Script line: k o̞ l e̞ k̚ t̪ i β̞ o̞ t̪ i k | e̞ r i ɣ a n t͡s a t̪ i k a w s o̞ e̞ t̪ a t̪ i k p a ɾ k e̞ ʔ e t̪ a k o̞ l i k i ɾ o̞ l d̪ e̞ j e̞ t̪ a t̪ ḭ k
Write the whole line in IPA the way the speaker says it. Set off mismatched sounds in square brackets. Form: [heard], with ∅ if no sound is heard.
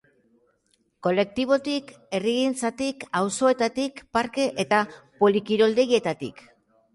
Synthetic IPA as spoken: k o̞ l e̞ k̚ t̪ i β̞ o̞ t̪ i k | e̞ r i ɣ [i] n t͡s a t̪ i k a w s o̞ e̞ t̪ a t̪ i k p a ɾ k e̞ ʔ e t̪ a [p] o̞ l i k i ɾ o̞ l d̪ e̞ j e̞ t̪ a t̪ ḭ k

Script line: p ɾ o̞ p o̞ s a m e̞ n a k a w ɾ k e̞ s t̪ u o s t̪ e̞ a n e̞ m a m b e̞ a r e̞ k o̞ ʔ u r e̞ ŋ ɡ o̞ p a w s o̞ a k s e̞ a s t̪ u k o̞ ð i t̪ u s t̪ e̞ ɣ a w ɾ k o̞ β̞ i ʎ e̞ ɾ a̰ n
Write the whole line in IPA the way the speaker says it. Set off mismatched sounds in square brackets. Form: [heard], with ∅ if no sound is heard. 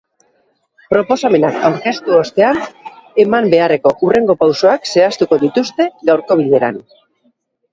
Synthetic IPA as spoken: p ɾ o̞ p o̞ s a m e̞ n a k a w ɾ k e̞ s t̪ u o s t̪ e̞ a n e̞ m a m b e̞ a r e̞ k o̞ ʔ u r e̞ ŋ ɡ o̞ p a w s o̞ a k s e̞ a s t̪ u k o̞ ð i t̪ u s t̪ e̞ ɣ a w ɾ k o̞ β̞ i ʎ e̞ ɾ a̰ n

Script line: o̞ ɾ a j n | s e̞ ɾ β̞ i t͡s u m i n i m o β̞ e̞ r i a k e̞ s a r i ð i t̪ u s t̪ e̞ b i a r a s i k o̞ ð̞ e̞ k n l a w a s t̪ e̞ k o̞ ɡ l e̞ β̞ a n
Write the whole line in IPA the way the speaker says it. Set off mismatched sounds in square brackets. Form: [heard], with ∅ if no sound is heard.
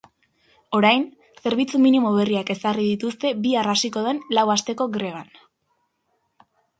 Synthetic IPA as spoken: o̞ ɾ a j n | s e̞ ɾ β̞ i t͡s u m i n i m o β̞ e̞ r i a k e̞ s a r i ð i t̪ u s t̪ e̞ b i a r a s i k o̞ ð̞ e̞ [∅] n l a w a s t̪ e̞ k o̞ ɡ [ɾ] e̞ β̞ a n

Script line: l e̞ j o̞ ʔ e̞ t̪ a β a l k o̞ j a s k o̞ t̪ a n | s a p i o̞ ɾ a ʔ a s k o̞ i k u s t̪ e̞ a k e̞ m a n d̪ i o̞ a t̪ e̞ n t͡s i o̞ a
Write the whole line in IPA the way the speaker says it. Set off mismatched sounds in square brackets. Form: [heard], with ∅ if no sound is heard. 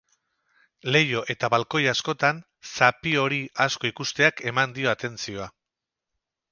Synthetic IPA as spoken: l e̞ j o̞ ʔ e̞ t̪ a β a l k o̞ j a s k o̞ t̪ a n | s a p i o̞ ɾ [i] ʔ a s k o̞ i k u s t̪ e̞ a k e̞ m a n d̪ i o̞ a t̪ e̞ n t͡s i o̞ a

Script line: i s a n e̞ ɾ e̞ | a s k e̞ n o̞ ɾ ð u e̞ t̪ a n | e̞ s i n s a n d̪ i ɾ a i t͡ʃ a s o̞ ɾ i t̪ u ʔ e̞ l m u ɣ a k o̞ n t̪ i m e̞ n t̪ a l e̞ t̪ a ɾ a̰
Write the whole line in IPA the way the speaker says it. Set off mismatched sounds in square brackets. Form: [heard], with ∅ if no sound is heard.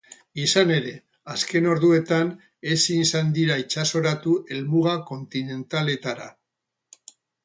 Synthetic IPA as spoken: i s a n e̞ ɾ e̞ | a s k e̞ n o̞ ɾ ð u e̞ t̪ a n | e̞ s i n s a n d̪ i ɾ a i t͡ʃ a s o̞ ɾ [a] t̪ u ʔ e̞ l m u ɣ a k o̞ n t̪ i [n] e̞ n t̪ a l e̞ t̪ a ɾ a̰

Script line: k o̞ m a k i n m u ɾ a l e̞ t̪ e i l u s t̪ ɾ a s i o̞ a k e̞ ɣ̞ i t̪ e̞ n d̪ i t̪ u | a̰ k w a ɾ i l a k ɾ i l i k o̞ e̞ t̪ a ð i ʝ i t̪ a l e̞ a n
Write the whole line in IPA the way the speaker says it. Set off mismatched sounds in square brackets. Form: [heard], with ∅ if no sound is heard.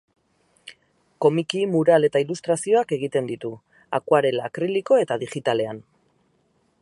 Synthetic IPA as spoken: k o̞ m [i] k i [∅] m u ɾ a l e̞ t̪ [a] i l u s t̪ ɾ a s i o̞ a k e̞ ɣ̞ i t̪ e̞ n d̪ i t̪ u | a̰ k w a ɾ [e] l a k ɾ i l i k o̞ e̞ t̪ a ð i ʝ i t̪ a l e̞ a n

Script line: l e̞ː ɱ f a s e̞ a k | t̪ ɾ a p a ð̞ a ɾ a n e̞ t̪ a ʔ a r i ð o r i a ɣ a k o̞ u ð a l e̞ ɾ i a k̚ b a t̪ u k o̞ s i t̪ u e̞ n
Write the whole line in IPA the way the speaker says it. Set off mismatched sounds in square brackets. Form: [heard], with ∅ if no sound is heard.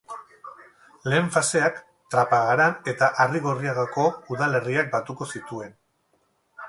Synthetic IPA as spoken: l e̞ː ɱ f a s e̞ a k | t̪ ɾ a p a [ɣ̞] a ɾ a n e̞ t̪ a ʔ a r i [ɣ] o r i a ɣ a k o̞ u ð a l e̞ [r] i a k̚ b a t̪ u k o̞ s i t̪ u e̞ n

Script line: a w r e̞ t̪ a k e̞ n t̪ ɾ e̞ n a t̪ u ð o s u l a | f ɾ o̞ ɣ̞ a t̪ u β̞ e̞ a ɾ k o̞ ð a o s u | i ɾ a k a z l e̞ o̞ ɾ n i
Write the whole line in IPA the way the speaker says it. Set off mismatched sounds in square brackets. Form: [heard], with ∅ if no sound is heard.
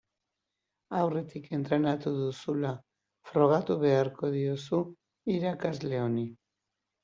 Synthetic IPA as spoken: a w r e̞ t̪ [i] k e̞ n t̪ ɾ e̞ n a t̪ u ð [u] s u l a | f ɾ o̞ ɣ̞ a t̪ u β̞ e̞ a ɾ k o̞ ð [i] o s u | i ɾ a k a z l e̞ o̞ [∅] n i

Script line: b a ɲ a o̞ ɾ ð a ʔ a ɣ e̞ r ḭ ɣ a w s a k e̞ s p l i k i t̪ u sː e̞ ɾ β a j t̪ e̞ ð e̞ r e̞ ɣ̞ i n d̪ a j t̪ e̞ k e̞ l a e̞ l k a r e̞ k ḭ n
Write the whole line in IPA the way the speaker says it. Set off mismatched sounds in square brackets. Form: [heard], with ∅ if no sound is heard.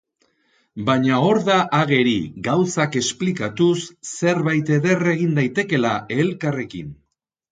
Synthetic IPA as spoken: b a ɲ a o̞ ɾ ð a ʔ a ɣ e̞ [ɾ] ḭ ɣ a w s a k e̞ s p l i k [a] t̪ u sː e̞ ɾ β a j t̪ e̞ ð e̞ r e̞ ɣ̞ i n d̪ a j t̪ e̞ k e̞ l a e̞ l k a r e̞ k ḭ n

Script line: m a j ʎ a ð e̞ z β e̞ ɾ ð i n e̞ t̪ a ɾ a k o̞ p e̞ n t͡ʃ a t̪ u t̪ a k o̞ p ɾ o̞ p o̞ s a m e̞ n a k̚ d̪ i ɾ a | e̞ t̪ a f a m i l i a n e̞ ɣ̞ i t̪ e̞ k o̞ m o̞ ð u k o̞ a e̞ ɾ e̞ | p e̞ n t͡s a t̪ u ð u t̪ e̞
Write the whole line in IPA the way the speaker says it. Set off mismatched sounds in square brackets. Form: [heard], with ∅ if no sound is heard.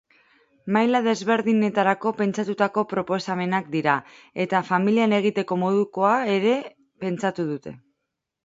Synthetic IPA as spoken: m a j [l] a ð e̞ z β e̞ ɾ ð i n e̞ t̪ a ɾ a k o̞ p e̞ n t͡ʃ a t̪ u t̪ a k o̞ p ɾ o̞ p o̞ s a m e̞ n a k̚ d̪ i ɾ a | e̞ t̪ a f a m i l i a n e̞ ɣ̞ i t̪ e̞ k o̞ m o̞ ð u k o̞ a e̞ ɾ e̞ | p e̞ n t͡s a t̪ u ð u t̪ e̞

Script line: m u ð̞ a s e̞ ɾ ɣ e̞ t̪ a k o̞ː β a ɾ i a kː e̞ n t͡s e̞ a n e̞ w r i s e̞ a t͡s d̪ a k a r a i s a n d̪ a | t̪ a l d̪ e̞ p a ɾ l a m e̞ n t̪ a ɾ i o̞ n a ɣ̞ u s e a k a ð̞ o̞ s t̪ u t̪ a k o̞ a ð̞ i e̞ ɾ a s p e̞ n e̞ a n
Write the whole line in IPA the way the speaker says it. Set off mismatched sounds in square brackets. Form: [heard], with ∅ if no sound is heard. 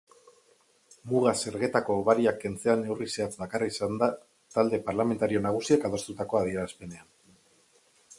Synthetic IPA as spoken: m u [ɣ̞] a s e̞ ɾ ɣ e̞ t̪ a k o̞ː β a ɾ i a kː e̞ n t͡s e̞ a n e̞ w r i s e̞ a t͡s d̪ a k a r a i s a n d̪ a | t̪ a l d̪ e̞ p a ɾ l a m e̞ n t̪ a ɾ i o̞ n a ɣ̞ u s [i] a k a ð̞ o̞ s t̪ u t̪ a k o̞ a ð̞ i e̞ ɾ a s p e̞ n e̞ a n

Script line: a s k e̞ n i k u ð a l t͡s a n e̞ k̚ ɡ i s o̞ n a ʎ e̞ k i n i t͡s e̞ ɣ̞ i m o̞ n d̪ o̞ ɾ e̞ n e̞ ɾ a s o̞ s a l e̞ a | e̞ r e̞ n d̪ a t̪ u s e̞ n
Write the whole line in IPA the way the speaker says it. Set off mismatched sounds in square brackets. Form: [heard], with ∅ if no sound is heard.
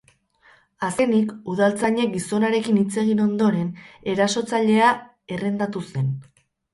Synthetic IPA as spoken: a s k e̞ n i k u ð a l t͡s a [ɲ] e̞ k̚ ɡ i s o̞ n a [ɾ] e̞ k i n i t͡s e̞ ɣ̞ i [n] o̞ n d̪ o̞ ɾ e̞ n e̞ ɾ a s o̞ [t͡s] a [ʎ] e̞ a | e̞ r e̞ n d̪ a t̪ u s e̞ n

